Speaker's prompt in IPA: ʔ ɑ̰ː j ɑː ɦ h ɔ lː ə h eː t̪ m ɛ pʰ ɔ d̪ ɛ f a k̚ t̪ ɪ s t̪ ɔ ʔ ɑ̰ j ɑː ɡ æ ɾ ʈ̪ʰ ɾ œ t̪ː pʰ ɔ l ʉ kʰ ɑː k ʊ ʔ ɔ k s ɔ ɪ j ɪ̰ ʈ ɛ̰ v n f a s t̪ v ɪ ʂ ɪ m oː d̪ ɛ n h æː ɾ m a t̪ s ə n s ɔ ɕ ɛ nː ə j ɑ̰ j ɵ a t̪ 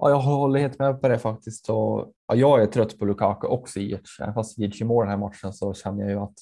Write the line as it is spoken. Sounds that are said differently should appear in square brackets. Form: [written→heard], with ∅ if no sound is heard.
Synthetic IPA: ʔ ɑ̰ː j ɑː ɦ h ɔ lː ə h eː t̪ m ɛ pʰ ɔ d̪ ɛ f a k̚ t̪ ɪ s t̪ ɔ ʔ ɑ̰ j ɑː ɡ æ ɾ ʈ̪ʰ ɾ œ t̪ː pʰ ɔ l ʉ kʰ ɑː k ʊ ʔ ɔ k s ɔ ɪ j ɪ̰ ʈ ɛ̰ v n f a s t̪ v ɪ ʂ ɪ m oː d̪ ɛ n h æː ɾ m a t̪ [s→ʂ] ə n s ɔ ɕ ɛ nː ə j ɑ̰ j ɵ a t̪